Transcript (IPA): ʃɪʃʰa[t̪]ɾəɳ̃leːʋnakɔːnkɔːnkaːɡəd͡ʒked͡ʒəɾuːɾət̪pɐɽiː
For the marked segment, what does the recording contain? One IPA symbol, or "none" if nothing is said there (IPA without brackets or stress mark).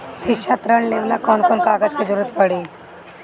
t̪